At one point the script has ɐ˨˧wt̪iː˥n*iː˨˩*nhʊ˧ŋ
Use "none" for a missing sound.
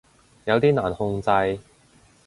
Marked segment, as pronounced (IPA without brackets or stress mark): aː˨˩